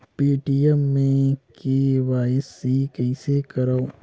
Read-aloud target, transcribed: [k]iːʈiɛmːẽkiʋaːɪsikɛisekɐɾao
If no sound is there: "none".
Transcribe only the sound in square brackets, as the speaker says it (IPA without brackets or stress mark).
p